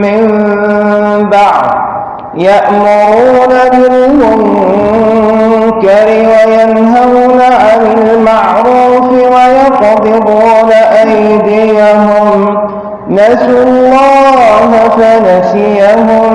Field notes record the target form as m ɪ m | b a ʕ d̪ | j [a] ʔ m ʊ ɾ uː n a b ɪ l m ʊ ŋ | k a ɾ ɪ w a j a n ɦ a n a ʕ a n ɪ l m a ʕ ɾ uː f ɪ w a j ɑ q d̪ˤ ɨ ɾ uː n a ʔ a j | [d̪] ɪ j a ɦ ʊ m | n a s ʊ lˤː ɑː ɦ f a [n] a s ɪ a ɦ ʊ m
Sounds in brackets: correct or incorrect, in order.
correct, correct, correct

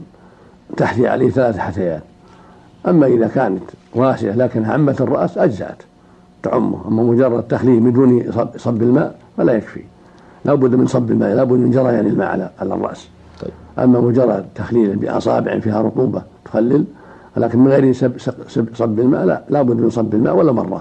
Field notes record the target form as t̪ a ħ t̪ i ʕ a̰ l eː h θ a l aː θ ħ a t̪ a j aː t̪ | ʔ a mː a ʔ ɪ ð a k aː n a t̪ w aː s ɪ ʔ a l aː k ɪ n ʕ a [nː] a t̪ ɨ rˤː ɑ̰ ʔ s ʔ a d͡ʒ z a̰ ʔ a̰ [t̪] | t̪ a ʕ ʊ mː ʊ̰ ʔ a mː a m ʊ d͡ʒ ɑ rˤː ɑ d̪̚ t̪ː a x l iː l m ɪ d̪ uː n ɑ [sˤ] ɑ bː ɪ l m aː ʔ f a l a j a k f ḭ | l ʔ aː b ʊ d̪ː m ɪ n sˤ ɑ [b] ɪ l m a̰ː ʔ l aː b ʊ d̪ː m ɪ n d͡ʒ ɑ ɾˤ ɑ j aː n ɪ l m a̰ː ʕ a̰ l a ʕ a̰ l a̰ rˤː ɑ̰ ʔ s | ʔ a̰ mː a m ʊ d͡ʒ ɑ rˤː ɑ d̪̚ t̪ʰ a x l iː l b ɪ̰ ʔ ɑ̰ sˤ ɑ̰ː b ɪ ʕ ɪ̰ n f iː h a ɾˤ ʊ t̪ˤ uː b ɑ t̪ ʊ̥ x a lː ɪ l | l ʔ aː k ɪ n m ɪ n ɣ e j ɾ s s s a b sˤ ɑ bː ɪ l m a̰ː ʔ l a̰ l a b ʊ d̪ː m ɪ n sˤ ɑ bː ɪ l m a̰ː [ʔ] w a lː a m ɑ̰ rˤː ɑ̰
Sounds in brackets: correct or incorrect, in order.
incorrect: mː, correct, correct, incorrect: bː, correct

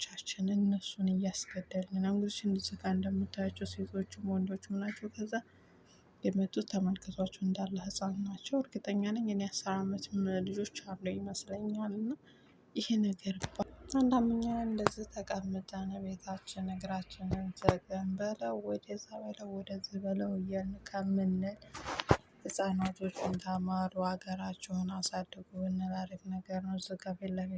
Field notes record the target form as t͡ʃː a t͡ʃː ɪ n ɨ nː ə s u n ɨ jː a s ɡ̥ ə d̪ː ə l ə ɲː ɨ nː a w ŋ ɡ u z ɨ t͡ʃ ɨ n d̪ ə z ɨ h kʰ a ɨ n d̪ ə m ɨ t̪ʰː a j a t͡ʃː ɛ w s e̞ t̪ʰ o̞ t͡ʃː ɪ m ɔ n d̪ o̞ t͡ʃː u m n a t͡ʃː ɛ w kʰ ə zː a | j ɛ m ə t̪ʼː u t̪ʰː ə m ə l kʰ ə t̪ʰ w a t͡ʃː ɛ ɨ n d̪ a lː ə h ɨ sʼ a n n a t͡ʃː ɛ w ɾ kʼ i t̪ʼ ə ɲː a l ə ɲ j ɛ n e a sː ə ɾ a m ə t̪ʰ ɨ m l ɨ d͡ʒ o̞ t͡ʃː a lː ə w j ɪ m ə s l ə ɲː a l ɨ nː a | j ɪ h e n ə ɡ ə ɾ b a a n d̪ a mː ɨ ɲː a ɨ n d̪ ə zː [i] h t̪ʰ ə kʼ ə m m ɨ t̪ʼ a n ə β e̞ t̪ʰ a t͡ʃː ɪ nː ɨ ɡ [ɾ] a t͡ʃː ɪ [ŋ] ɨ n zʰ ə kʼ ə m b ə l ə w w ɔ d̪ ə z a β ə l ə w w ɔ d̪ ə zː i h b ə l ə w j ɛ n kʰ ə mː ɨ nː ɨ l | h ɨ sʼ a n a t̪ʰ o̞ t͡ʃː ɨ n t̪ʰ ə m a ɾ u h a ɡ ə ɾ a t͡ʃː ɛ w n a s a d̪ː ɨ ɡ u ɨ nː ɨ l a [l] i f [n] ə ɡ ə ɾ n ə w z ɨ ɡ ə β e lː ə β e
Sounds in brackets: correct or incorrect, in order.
correct, correct, incorrect: n, incorrect: ɾ, correct

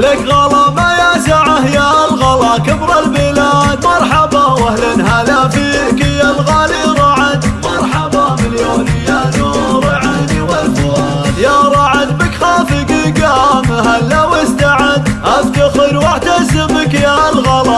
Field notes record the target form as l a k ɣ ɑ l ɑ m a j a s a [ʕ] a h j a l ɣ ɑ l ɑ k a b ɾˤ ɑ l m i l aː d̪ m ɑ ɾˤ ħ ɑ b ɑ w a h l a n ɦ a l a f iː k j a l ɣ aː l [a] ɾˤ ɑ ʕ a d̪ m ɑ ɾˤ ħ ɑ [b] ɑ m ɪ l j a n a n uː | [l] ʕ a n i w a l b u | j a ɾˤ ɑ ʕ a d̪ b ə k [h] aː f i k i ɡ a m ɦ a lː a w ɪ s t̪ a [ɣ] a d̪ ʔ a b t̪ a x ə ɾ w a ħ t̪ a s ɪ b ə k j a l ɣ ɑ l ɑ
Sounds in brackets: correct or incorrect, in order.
correct, incorrect: i, correct, incorrect: ɾ, incorrect: x, incorrect: ʕ

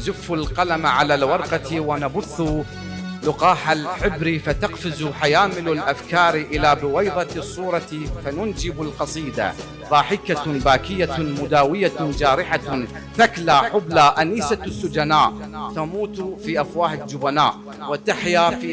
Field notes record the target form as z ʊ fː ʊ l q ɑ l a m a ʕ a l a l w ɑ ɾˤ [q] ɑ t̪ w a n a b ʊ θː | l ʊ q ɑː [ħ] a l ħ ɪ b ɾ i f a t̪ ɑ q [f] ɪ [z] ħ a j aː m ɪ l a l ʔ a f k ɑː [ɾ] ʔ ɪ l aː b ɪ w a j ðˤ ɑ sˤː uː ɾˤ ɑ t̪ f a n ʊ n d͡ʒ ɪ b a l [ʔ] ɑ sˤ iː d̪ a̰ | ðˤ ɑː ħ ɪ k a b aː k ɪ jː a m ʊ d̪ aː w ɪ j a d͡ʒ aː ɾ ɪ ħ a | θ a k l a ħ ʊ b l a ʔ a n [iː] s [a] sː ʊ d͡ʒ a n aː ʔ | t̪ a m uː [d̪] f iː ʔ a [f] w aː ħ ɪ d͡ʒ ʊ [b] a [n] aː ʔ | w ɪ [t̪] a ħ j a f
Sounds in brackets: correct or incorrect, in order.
correct, correct, correct, correct, correct, incorrect: q, correct, correct, incorrect: t̪, correct, correct, correct, correct

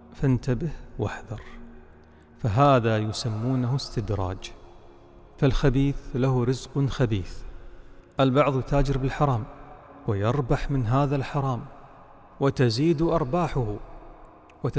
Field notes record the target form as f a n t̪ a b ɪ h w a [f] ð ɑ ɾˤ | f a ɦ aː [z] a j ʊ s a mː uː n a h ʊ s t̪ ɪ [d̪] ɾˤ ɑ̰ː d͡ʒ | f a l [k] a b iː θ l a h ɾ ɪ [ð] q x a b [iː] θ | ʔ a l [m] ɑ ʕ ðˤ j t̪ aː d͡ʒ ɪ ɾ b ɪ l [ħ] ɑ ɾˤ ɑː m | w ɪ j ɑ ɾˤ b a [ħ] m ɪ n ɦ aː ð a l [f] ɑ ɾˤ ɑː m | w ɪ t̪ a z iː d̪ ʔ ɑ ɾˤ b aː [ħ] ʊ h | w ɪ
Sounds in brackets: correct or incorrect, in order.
incorrect: ħ, incorrect: ð, correct, incorrect: x, incorrect: z, correct, incorrect: b, correct, correct, incorrect: ħ, correct

